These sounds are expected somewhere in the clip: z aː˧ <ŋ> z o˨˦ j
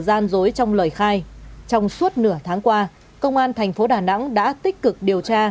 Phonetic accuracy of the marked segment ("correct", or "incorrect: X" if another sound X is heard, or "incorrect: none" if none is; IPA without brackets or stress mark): incorrect: n